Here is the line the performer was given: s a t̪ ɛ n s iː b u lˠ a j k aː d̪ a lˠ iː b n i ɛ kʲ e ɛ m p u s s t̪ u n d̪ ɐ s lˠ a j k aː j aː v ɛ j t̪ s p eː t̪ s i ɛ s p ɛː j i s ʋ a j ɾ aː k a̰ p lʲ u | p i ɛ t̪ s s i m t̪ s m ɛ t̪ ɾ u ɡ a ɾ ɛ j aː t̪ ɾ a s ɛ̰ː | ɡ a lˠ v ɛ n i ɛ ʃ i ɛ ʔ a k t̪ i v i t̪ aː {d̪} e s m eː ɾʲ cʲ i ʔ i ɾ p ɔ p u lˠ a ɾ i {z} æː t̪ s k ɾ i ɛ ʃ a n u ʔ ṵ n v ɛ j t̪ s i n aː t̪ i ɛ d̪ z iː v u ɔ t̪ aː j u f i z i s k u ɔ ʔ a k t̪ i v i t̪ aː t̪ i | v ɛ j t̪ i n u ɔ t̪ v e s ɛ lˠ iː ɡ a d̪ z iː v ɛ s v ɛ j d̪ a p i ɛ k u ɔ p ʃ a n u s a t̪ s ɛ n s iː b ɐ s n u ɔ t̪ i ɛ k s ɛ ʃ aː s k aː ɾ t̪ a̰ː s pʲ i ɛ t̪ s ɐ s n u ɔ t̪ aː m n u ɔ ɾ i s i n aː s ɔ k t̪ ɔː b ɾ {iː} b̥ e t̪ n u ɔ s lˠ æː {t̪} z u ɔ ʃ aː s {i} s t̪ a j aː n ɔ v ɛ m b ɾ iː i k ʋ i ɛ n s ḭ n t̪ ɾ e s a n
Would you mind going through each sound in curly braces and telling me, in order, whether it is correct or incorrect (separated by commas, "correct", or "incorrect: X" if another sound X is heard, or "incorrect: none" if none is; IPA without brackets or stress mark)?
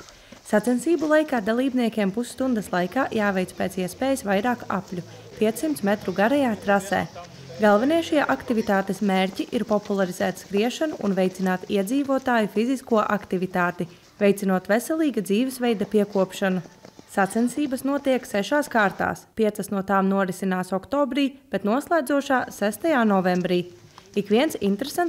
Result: incorrect: t̪, correct, correct, incorrect: d̪, incorrect: æ